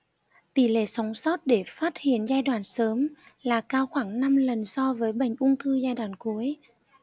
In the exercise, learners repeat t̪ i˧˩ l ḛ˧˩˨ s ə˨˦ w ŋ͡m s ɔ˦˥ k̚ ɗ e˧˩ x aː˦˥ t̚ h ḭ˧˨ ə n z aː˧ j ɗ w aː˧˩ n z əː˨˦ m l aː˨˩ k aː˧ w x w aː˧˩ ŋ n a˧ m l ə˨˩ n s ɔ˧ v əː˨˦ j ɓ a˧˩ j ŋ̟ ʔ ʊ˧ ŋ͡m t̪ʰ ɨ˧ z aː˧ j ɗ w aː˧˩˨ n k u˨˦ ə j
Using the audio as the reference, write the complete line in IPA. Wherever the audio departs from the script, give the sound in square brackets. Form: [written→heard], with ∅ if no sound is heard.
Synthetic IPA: t̪ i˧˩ l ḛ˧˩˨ s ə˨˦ w ŋ͡m s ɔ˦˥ [k̚→t̚] ɗ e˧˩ [x→f] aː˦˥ t̚ h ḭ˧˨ ə n z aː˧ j ɗ w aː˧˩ n [z→s] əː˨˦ m l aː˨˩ k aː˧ w x w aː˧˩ ŋ n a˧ m l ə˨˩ n s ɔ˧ v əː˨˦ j ɓ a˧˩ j ŋ̟ ʔ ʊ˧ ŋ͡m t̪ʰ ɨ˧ z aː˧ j ɗ w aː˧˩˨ n k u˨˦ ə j